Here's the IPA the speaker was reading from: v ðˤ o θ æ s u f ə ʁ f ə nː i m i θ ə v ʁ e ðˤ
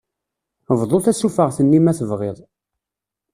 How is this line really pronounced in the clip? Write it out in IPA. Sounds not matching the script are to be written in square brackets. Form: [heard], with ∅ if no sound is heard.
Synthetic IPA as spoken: v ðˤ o θ æ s u f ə ʁ [θ] ə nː i m [æ] θ ə v ʁ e ðˤ

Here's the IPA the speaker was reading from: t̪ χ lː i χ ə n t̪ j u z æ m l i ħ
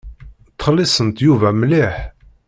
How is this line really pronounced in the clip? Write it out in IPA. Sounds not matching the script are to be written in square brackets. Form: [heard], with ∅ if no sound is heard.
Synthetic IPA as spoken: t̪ χ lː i [s] ə n t̪ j u [v] æ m l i ħ

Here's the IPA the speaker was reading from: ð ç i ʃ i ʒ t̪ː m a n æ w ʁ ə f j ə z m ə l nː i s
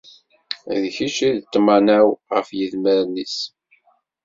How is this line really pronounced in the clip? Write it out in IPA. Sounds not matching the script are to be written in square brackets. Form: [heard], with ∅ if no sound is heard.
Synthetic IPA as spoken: ð ç i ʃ i [ð] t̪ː m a n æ w ʁ ə f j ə [ð] m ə [ɾ] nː i s

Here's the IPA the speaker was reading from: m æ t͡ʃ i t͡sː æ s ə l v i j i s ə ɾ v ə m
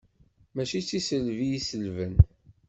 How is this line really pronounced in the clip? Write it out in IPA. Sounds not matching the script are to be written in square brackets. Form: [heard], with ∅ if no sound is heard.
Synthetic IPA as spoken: m æ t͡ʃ i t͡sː [i] s ə l v i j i s ə [l] v ə [n]

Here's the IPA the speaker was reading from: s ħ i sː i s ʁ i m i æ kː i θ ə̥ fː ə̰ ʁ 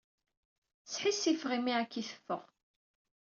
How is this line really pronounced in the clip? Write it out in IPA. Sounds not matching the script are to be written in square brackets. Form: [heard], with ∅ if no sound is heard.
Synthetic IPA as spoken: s ħ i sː i [f] ʁ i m i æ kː i θ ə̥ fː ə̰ ʁ

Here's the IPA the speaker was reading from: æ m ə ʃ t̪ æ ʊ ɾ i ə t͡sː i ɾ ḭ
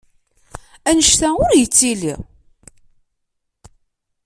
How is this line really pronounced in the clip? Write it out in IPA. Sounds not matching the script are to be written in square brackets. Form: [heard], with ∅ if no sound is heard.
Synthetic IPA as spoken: æ [n] ə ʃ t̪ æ ʊ ɾ [j] ə t͡sː i [l] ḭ

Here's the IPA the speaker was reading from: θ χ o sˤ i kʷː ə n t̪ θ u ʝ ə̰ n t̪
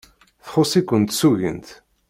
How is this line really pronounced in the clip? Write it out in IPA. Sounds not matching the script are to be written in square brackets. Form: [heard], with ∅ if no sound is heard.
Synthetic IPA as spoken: θ χ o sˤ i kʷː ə n t̪ [s] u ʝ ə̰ n t̪

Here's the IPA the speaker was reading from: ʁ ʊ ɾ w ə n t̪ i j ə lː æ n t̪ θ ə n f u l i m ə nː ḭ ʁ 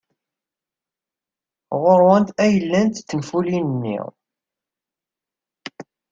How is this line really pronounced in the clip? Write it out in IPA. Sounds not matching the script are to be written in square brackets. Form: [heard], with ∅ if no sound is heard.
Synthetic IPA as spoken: ʁ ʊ ɾ w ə n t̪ [æ] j ə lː æ n t̪ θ ə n f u l i [n] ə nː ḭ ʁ

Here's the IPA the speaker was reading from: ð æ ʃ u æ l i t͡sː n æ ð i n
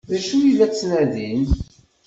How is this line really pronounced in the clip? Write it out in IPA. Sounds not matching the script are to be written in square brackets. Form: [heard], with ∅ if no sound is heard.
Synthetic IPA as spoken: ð æ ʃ u [i] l [æ] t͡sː n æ ð i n

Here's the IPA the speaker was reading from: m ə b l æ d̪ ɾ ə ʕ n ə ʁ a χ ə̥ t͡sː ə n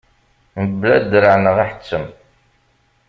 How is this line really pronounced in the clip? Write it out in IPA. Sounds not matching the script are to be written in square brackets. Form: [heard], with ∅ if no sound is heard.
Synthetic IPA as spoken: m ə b l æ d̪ ɾ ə ʕ n ə ʁ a [ħ] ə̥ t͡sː ə [m]

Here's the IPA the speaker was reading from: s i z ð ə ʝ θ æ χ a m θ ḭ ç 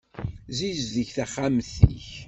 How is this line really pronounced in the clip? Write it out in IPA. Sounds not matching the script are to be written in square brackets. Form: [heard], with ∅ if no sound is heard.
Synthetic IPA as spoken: [z] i z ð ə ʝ θ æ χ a m θ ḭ ç

